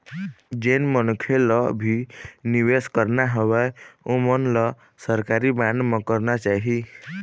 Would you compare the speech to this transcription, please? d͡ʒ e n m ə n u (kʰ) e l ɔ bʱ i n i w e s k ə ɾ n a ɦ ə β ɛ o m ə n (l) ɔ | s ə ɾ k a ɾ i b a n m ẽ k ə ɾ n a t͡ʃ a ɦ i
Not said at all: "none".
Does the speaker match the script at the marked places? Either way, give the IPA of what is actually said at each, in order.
kʰ, l

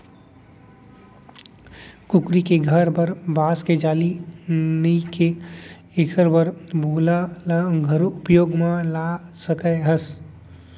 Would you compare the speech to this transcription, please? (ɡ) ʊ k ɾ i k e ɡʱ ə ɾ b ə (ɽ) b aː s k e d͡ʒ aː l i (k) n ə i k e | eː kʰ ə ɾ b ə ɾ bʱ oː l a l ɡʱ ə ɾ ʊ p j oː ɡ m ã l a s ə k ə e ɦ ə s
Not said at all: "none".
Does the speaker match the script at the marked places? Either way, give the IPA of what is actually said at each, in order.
k, ɾ, none

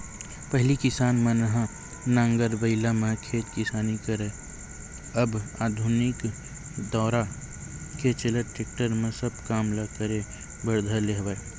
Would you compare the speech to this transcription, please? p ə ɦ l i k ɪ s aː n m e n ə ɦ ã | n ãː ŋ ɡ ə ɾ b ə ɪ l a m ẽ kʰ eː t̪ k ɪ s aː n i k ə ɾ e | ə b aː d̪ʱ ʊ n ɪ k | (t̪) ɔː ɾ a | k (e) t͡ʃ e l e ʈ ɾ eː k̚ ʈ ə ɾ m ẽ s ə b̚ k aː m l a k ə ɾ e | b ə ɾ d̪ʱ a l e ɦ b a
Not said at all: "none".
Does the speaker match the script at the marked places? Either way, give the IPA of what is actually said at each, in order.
d̪, e

